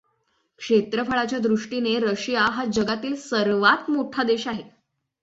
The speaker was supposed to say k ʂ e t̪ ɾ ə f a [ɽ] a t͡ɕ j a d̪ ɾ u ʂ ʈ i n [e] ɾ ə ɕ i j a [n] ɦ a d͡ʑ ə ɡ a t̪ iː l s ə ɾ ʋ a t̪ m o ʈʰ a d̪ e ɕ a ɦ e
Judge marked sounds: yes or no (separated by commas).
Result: no, yes, no